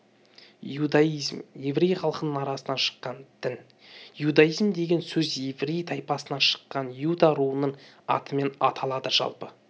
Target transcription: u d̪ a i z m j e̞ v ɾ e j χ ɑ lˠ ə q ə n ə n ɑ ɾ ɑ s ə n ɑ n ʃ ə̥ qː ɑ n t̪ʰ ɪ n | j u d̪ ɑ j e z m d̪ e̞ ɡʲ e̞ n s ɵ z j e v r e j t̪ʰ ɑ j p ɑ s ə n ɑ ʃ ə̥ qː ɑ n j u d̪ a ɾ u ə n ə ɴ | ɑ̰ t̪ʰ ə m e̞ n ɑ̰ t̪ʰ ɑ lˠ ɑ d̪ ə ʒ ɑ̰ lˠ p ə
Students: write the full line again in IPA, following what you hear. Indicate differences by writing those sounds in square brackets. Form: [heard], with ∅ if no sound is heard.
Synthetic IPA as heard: u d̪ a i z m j e̞ v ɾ e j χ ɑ lˠ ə q ə n ə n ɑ ɾ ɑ s ə n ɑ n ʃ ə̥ qː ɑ n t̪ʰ ɪ n | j u d̪ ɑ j [i] z m d̪ e̞ ɡʲ e̞ n s ɵ z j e v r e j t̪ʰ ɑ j p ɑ s ə n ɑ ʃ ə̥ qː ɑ n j u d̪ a ɾ u ə n ə ɴ | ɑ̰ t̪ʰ ə m e̞ n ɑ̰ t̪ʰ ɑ lˠ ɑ d̪ ə ʒ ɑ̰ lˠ p ə